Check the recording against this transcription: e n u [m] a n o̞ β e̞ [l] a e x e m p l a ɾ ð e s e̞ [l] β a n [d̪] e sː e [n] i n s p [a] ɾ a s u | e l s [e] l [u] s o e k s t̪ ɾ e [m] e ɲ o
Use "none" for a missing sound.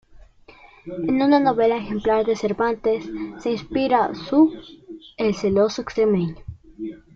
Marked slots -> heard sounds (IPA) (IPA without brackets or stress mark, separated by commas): n, l, ɾ, t̪, none, i, e, o, m